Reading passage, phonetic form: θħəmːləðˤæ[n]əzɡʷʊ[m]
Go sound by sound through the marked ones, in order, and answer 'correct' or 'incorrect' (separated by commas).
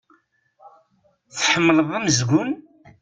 incorrect, incorrect